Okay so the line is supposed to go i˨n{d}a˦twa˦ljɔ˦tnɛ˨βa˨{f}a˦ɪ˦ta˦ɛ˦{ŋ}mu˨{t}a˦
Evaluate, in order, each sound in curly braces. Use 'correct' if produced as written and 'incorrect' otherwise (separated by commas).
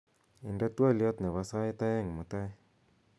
correct, incorrect, correct, correct